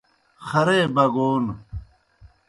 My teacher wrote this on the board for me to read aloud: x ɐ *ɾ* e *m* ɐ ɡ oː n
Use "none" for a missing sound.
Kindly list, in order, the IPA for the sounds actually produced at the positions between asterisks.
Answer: ɾ, b

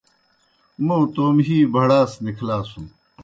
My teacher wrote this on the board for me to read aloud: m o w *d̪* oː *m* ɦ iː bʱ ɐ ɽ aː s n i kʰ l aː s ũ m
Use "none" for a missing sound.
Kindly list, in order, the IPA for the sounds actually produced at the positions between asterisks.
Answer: t̪, m

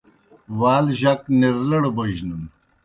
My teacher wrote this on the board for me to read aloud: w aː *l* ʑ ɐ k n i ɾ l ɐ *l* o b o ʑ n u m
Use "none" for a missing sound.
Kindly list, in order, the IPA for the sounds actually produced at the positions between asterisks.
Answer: l, ɽ

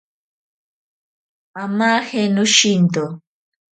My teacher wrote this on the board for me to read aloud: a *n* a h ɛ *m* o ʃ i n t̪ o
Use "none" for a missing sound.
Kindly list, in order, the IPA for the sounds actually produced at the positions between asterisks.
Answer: m, n

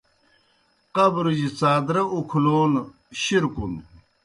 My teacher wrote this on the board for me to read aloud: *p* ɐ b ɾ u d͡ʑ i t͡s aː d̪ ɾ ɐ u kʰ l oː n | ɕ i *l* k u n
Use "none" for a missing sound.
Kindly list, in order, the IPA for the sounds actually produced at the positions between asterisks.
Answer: q, ɾ

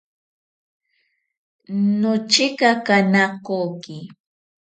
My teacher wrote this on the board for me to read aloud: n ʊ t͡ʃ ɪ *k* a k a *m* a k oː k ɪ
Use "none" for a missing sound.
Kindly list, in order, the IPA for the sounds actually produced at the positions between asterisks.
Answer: k, n

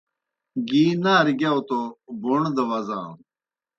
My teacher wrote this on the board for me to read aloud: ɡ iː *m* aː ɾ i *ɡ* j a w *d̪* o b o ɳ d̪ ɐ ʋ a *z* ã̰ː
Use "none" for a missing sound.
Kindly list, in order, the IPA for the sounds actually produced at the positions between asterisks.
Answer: n, ɡ, t̪, z

